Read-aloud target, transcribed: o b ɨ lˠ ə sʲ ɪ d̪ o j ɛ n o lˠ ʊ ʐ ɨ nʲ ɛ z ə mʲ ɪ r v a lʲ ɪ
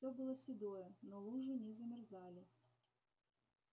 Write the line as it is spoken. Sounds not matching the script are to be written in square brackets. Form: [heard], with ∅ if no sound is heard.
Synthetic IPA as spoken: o b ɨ lˠ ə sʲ ɪ d̪ o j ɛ n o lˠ [u] ʐ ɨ nʲ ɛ z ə mʲ ɪ r [z] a lʲ ɪ